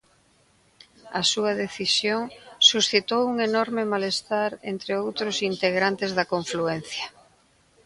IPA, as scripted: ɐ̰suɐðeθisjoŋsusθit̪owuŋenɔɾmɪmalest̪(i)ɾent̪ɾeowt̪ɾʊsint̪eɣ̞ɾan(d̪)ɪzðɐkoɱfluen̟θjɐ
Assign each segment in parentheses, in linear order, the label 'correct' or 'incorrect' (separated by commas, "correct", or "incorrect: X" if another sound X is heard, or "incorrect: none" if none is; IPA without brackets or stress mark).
incorrect: a, incorrect: t̪